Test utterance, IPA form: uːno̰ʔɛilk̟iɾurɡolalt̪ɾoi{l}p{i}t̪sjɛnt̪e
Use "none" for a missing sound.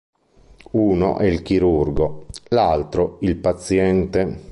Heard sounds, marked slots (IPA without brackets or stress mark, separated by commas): l, a